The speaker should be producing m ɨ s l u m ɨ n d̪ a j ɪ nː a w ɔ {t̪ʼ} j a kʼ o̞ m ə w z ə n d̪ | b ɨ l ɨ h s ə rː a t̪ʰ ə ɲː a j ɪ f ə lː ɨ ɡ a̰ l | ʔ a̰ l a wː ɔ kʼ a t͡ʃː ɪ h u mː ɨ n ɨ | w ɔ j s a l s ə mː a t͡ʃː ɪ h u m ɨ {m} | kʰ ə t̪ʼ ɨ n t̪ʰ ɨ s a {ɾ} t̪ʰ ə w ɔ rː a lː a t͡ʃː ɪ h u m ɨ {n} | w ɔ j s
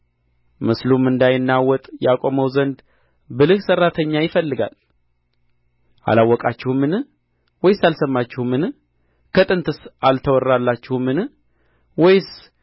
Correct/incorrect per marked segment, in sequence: correct, incorrect, incorrect, correct

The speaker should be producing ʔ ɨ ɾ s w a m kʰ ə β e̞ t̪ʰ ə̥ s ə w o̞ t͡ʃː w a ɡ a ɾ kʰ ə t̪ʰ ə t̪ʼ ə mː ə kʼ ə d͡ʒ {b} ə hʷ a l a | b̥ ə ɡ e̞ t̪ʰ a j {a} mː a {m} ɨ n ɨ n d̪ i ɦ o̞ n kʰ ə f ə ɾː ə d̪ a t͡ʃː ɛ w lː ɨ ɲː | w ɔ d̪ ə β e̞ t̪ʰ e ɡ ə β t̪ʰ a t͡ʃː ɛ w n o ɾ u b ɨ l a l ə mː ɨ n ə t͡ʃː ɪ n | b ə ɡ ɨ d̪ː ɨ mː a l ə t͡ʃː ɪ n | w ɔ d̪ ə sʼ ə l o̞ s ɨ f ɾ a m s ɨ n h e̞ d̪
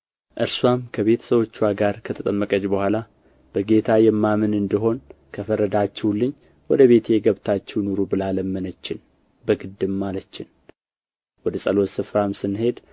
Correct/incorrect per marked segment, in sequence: correct, incorrect, correct

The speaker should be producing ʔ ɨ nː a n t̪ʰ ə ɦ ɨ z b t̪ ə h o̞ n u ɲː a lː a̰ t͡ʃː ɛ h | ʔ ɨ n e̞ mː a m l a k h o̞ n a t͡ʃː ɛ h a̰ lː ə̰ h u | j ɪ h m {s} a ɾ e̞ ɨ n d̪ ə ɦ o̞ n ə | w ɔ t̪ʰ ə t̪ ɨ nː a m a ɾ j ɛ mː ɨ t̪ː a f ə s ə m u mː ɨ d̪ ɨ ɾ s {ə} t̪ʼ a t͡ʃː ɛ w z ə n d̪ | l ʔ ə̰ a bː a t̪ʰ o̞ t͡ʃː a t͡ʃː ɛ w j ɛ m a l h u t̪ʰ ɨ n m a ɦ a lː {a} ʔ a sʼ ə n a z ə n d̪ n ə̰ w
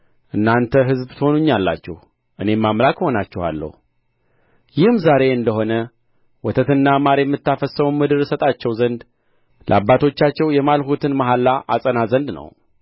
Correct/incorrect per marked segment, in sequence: incorrect, correct, correct

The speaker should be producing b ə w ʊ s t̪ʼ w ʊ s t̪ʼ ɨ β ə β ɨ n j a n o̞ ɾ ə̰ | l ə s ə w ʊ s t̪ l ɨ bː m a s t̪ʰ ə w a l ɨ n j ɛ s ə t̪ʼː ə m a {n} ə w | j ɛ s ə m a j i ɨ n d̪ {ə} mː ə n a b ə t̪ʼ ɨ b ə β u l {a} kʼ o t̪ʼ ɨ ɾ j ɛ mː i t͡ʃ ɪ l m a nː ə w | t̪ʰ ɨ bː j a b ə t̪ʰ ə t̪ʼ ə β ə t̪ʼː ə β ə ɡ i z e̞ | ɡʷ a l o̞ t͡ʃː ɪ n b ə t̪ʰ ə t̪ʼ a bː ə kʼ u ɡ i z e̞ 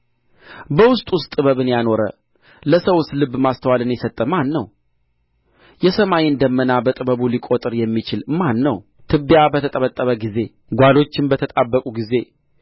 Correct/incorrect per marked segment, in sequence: incorrect, correct, incorrect

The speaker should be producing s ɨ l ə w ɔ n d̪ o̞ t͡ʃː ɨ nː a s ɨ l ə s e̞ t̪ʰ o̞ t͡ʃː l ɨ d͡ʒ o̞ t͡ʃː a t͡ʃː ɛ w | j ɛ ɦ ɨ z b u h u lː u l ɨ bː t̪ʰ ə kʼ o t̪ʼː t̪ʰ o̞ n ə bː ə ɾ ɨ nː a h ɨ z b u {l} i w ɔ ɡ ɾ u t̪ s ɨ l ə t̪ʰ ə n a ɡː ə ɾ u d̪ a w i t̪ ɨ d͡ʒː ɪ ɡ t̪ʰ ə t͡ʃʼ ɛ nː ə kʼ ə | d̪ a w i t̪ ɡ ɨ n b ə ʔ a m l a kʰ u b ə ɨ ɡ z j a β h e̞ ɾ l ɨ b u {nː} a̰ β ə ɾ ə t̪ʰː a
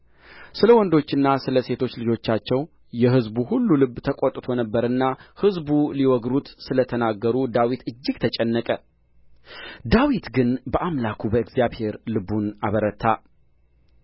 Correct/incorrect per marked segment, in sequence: correct, incorrect

